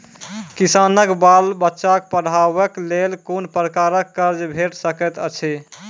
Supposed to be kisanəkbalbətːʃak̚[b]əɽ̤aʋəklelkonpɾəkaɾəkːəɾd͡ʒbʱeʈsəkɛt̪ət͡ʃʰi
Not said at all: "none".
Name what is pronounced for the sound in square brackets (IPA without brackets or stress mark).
p